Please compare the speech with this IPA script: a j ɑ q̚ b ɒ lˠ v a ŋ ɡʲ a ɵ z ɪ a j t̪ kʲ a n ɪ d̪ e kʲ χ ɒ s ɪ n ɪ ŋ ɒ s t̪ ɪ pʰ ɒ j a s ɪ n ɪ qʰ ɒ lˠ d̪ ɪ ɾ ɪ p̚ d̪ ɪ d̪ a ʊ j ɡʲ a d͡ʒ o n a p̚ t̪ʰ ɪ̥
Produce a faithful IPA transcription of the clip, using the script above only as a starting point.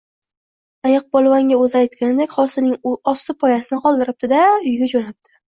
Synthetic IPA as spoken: a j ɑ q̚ b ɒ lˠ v a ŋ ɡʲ a ɵ z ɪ a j t̪ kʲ a n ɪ d̪ e kʲ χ ɒ s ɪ n ɪ ŋ ɒ s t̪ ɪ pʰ ɒ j a s ɪ n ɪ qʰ ɒ lˠ d̪ ɪ ɾ ɪ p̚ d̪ ɪ d̪ a ʊ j ɡʲ a d͡ʒ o n a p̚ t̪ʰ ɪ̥